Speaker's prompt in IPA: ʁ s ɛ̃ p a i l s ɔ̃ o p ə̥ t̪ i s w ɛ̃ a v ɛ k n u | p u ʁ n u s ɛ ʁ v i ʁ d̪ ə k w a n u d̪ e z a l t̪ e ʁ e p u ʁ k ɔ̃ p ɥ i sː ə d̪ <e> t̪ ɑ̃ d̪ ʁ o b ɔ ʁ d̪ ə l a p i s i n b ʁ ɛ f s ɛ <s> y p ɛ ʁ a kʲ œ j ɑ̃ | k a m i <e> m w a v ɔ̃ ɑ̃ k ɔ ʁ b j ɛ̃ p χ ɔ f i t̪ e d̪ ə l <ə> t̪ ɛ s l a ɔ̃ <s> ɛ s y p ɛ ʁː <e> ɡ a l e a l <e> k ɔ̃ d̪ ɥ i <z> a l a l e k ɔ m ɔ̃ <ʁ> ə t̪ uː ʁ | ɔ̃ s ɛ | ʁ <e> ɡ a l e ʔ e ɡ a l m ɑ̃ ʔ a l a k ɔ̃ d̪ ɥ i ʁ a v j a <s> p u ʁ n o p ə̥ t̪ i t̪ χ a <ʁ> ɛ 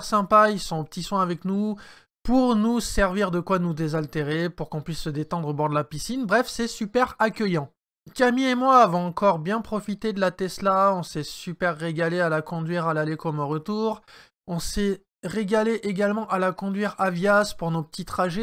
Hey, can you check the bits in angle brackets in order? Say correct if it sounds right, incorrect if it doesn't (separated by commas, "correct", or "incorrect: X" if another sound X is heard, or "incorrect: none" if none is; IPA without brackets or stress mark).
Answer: correct, correct, correct, incorrect: a, correct, correct, incorrect: a, incorrect: ʁ, correct, correct, correct, incorrect: ʒ